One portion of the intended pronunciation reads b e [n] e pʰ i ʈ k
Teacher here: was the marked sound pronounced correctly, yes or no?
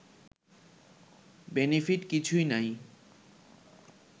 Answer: yes